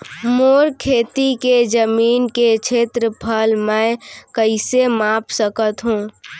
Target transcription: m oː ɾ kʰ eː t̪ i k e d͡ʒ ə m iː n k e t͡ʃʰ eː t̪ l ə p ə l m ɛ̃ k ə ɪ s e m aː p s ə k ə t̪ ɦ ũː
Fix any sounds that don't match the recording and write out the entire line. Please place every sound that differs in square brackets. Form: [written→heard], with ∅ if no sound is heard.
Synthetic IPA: m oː ɾ kʰ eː t̪ i k e d͡ʒ ə m iː n k e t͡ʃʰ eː t̪ [l→ɾ] ə [p→pʰ] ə l m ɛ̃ k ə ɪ s e m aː p s ə k ə t̪ ɦ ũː